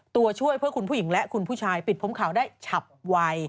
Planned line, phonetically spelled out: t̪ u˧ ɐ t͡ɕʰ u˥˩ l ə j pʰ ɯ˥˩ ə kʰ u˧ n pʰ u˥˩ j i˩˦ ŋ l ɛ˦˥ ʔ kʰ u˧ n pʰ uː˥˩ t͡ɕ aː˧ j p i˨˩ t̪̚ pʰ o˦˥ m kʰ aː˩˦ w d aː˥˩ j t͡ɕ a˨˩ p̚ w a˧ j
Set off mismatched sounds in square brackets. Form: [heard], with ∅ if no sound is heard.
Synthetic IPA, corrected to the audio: t̪ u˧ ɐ t͡ɕʰ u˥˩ [∅] ə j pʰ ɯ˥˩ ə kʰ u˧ n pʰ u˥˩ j i˩˦ ŋ l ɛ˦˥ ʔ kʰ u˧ n pʰ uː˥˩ [t͡ɕʰ] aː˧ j p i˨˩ t̪̚ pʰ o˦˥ m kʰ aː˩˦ w d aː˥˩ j [t͡ɕʰ] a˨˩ p̚ w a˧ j